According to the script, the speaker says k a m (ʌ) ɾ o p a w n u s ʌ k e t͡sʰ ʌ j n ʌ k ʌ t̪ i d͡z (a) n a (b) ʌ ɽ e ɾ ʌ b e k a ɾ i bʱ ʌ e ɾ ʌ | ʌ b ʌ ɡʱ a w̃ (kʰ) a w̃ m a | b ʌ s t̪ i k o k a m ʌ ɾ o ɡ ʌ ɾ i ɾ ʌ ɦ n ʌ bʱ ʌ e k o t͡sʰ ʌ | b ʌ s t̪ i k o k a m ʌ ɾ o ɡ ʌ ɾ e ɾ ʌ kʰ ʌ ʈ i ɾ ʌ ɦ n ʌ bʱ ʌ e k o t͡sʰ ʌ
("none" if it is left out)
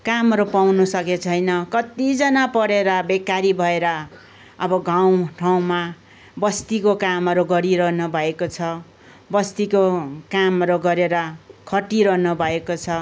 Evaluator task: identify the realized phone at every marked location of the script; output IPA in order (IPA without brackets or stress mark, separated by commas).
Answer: ʌ, ʌ, p, ʈʰ